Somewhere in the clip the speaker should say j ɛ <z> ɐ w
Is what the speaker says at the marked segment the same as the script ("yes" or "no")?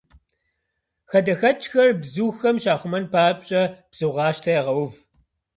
no